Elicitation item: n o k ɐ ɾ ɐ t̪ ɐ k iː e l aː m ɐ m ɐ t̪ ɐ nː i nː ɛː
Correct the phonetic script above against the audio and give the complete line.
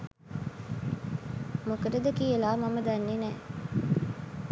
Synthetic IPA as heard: m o k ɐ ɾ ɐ d̪ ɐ k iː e l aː m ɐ m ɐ d̪ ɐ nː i n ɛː